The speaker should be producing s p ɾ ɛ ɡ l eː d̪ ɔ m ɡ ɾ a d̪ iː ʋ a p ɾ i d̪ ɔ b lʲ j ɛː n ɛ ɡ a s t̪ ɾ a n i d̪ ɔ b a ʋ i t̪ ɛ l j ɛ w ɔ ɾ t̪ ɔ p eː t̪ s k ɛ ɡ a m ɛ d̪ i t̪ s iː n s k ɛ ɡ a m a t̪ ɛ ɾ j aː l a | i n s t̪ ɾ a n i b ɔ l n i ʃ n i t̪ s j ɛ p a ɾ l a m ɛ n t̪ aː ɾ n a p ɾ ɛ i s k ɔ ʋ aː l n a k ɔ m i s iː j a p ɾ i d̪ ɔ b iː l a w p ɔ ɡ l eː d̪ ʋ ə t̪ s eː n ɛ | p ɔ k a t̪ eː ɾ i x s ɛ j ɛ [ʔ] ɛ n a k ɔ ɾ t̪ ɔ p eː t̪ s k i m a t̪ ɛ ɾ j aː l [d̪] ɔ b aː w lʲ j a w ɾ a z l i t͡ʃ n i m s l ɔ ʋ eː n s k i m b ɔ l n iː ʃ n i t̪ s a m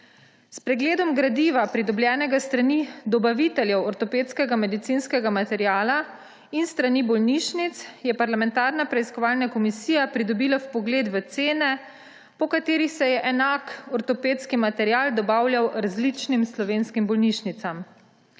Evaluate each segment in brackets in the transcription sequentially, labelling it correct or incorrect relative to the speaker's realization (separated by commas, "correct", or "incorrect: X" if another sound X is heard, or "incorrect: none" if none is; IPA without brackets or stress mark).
correct, correct